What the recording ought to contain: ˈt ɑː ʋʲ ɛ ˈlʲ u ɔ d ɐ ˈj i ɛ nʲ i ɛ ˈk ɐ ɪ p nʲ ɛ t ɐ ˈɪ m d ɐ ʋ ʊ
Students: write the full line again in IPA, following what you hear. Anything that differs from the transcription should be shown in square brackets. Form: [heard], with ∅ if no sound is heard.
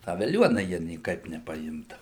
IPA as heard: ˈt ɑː ʋʲ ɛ ˈlʲ u ɔ [n] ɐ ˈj i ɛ nʲ i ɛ ˈk ɐ ɪ p nʲ ɛ [p] ɐ ˈɪ m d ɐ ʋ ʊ